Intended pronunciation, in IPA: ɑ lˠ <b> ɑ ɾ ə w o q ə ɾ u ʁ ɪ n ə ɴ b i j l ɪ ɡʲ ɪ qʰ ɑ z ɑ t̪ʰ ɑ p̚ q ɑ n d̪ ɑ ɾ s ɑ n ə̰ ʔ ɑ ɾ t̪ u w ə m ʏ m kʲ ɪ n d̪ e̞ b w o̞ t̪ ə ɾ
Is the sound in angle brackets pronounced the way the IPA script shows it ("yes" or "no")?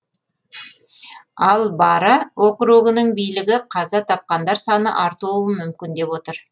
yes